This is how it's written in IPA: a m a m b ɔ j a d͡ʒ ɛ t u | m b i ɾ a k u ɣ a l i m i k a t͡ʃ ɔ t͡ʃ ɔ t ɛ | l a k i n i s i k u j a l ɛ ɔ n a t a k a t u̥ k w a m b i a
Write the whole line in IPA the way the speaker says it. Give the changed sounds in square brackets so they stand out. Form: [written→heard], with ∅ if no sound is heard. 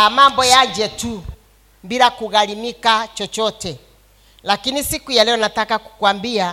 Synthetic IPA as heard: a m a m b ɔ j a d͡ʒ ɛ t u | m b i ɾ a k u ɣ a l i m i k a t͡ʃ ɔ t͡ʃ ɔ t ɛ | l a k i n i s i k u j a l ɛ ɔ n a t a k a [t→k] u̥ k w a m b i a